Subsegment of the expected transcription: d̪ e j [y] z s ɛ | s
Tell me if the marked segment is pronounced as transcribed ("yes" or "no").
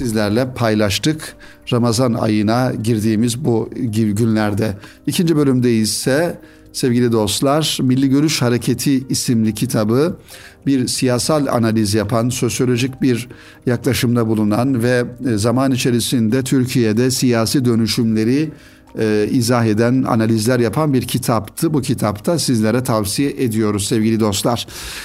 no